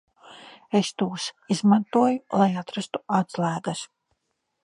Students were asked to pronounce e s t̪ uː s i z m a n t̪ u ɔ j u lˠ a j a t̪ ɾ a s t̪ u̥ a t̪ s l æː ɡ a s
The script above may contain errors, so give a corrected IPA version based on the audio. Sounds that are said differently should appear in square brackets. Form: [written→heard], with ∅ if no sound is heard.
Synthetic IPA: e s t̪ uː s i z m a n t̪ u ɔ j u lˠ a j a t̪ ɾ a s t̪ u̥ a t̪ s l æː ɡ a s